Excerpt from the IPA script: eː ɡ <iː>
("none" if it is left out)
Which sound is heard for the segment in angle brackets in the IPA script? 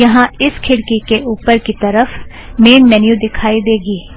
iː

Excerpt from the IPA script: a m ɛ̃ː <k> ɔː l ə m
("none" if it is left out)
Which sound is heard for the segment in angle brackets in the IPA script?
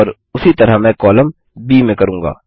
k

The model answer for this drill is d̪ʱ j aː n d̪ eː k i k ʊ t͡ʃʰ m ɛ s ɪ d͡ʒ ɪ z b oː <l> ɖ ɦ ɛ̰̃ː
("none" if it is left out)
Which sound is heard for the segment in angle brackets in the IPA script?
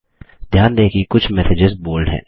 l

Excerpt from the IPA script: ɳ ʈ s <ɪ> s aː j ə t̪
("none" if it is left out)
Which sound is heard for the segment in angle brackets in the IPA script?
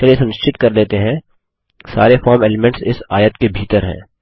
ɪ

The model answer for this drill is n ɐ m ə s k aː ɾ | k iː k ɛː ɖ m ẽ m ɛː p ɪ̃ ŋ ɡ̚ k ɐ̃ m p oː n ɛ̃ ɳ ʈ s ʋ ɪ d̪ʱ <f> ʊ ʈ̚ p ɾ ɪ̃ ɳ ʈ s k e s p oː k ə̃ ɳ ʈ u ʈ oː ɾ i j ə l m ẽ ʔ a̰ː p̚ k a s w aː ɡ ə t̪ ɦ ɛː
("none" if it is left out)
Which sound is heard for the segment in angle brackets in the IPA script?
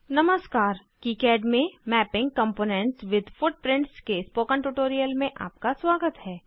f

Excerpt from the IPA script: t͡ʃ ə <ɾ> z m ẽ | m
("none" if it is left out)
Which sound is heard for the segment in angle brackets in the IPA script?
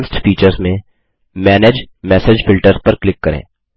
ɾ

